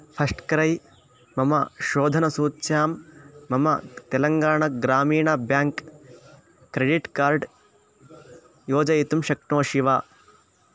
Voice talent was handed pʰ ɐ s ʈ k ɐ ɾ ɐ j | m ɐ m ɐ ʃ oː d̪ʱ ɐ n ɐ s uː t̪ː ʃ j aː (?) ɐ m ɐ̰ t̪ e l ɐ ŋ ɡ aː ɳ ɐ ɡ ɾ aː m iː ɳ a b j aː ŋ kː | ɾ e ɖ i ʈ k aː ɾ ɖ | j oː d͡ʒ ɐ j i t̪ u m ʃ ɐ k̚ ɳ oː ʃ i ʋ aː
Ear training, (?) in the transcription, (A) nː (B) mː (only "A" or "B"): B